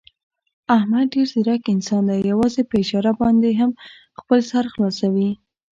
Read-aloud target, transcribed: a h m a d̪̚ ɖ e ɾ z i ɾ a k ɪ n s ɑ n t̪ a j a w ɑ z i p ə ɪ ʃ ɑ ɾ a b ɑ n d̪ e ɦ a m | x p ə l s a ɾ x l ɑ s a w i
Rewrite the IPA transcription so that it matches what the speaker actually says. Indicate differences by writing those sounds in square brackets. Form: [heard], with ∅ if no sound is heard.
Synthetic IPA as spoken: a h m a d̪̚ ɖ e ɾ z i ɾ a k ɪ n s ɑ n [d̪] a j a w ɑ z [e] p ə ɪ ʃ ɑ ɾ a b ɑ n d̪ e ɦ a m | x p ə l s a ɾ x l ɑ s a w i